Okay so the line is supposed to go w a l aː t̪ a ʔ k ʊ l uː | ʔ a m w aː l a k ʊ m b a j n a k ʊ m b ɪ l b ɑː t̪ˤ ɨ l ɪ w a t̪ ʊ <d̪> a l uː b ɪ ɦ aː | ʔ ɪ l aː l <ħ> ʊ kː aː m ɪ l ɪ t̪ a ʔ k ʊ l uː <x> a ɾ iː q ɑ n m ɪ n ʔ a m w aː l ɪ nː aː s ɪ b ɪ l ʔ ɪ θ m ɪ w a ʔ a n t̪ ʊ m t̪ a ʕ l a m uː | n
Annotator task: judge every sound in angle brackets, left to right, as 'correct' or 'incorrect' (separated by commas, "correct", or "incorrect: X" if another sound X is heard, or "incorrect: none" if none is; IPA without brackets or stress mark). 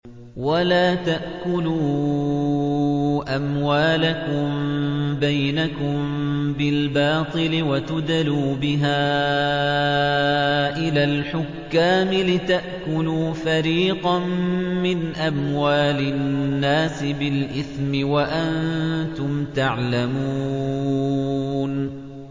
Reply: correct, correct, incorrect: f